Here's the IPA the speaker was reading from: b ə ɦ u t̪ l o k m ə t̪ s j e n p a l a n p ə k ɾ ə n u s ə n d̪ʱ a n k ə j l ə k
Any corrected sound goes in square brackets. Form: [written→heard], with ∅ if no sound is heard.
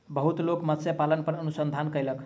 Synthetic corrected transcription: b ə ɦ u t̪ l o k m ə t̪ s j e [n→∅] p a l [a→ə] n p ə [k→∅] ɾ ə n u s ə n d̪ʱ a n k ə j l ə k